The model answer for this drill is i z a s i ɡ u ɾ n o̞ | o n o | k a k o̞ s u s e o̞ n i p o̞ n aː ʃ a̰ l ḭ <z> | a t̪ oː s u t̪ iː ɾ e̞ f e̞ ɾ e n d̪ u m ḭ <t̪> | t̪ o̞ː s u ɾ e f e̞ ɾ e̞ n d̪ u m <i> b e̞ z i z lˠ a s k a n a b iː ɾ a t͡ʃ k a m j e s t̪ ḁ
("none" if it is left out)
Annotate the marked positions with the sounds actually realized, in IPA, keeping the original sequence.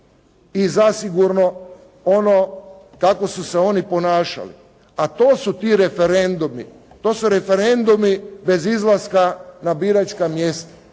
none, none, i

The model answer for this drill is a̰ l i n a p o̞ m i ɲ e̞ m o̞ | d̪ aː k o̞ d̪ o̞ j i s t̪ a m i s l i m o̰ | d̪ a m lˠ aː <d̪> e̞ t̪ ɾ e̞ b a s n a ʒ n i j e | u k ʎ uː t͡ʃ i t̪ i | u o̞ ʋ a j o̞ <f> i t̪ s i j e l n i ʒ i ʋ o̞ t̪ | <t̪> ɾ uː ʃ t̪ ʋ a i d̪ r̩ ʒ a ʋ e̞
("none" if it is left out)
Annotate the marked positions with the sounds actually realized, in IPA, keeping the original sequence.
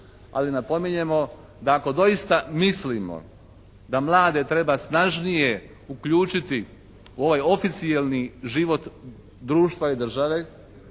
d̪, f, d̪

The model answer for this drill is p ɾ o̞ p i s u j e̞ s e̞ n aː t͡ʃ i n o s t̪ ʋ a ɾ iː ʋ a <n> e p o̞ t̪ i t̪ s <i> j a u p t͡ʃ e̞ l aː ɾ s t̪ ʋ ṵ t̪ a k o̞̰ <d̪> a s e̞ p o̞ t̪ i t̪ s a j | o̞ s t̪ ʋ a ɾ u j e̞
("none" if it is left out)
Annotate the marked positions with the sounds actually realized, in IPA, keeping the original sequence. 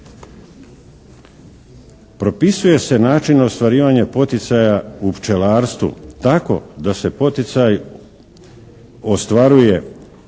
ɲ, a, d̪

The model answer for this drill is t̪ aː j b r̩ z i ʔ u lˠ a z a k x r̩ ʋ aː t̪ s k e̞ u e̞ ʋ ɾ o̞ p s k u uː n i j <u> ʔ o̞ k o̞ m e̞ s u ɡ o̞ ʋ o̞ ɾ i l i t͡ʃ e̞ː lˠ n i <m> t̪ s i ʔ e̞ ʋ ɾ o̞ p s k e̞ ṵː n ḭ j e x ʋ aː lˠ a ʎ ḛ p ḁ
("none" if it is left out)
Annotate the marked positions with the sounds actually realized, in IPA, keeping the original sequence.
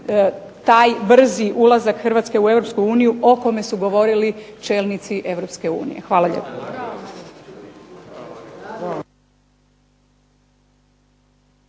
u, none

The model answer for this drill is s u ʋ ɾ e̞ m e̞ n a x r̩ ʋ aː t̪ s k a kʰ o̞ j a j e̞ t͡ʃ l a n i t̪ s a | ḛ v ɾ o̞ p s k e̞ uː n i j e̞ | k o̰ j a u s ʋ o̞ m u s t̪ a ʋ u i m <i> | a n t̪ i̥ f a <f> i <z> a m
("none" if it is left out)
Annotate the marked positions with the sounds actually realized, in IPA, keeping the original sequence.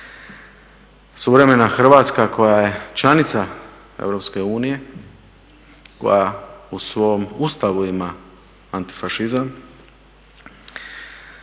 a, ʃ, z

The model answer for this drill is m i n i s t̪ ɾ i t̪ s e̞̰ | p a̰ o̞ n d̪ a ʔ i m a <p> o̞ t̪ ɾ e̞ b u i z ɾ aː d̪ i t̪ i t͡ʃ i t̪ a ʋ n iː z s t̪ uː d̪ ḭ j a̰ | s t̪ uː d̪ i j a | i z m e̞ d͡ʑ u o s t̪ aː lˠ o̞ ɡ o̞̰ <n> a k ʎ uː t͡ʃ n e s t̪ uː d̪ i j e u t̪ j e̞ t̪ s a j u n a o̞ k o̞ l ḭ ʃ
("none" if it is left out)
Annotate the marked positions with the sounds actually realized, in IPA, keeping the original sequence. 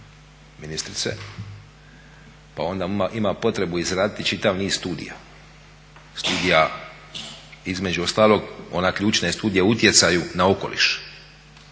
p, n

